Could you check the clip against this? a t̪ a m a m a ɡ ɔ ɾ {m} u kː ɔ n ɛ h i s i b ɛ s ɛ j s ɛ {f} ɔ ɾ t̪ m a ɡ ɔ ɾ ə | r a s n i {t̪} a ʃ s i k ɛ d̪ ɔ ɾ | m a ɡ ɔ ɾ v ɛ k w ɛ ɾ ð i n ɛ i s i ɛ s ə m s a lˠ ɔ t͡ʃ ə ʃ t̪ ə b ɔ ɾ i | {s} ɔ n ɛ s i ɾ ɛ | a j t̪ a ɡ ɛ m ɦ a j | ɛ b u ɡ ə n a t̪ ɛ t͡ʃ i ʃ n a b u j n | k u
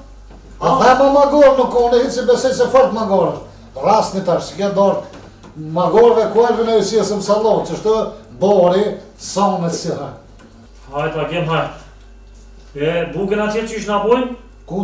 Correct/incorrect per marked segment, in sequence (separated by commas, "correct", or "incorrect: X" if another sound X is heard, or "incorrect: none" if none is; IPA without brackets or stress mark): incorrect: n, correct, correct, correct